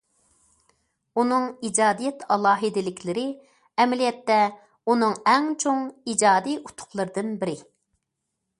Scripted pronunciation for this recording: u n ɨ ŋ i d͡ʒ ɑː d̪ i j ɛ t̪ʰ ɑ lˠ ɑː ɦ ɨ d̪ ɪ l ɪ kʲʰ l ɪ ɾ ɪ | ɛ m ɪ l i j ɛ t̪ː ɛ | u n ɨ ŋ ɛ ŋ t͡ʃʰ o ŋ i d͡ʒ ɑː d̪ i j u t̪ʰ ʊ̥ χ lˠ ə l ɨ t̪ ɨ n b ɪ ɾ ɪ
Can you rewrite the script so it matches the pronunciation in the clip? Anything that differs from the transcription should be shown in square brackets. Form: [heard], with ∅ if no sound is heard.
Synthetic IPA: u n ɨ ŋ i d͡ʒ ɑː d̪ i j ɛ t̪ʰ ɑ lˠ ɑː ɦ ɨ d̪ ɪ l ɪ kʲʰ l ɪ ɾ ɪ | ɛ m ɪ l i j ɛ t̪ː ɛ | u n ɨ ŋ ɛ ŋ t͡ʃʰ o ŋ i d͡ʒ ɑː d̪ i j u t̪ʰ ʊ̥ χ lˠ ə [ɾ] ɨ [d̪] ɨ n b ɪ ɾ ɪ